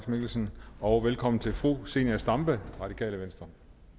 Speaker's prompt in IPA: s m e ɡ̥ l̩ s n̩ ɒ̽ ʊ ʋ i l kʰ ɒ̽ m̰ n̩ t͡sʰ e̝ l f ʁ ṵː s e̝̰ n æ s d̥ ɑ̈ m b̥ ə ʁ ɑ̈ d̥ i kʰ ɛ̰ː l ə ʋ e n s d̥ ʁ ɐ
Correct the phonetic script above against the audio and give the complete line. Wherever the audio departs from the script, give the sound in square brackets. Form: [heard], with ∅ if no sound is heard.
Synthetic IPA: s m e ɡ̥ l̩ s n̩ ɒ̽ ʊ ʋ [e] l kʰ ɒ̽ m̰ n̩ t͡sʰ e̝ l f ʁ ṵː s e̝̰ n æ s d̥ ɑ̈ m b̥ ə ʁ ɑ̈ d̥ i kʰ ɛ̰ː l ə ʋ e n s d̥ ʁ ɐ